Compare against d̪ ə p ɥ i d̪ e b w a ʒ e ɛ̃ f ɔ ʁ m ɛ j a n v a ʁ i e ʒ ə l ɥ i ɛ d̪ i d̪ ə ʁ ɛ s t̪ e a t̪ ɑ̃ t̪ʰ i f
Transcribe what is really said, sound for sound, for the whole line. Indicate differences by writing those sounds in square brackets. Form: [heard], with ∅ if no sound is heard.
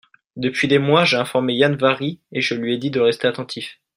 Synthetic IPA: d̪ ə p ɥ i d̪ e [m] w a ʒ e ɛ̃ f ɔ ʁ m [e] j a n v a ʁ i e ʒ ə l ɥ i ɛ d̪ i d̪ ə ʁ ɛ s t̪ e a t̪ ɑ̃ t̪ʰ i f